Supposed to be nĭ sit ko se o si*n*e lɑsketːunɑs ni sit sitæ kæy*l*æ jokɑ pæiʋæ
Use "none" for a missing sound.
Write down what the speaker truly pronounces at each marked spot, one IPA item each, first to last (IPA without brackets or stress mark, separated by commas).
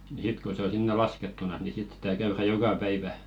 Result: nː, r